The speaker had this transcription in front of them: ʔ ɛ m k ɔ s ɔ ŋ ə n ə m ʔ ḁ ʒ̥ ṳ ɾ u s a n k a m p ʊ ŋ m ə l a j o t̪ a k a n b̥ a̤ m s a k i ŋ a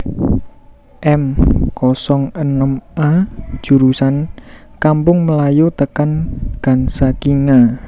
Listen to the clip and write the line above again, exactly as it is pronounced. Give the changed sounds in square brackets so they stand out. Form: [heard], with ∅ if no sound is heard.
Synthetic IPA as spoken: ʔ ɛ m k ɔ s ɔ ŋ ə n ə m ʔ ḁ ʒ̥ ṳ ɾ u s a n k a m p ʊ ŋ m ə l a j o t̪ [ə] k a n [ɡ̥] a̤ [n] s a k i ŋ a